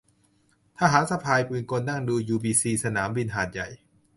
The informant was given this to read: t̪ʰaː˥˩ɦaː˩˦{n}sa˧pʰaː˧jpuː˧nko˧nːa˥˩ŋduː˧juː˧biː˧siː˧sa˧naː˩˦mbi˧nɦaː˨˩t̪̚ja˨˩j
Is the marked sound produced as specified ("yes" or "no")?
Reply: yes